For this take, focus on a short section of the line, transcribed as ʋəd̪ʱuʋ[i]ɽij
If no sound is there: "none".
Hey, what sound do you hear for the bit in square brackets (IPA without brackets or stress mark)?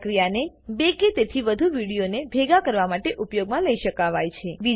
i